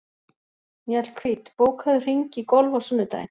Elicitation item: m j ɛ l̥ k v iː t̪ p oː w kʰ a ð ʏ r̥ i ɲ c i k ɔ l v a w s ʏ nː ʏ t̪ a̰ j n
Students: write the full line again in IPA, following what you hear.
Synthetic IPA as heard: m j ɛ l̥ kʰ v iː t̪ p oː w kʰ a ð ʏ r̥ i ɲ c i k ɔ l v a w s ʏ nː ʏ t̪ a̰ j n